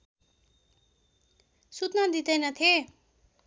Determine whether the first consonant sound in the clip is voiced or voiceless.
voiceless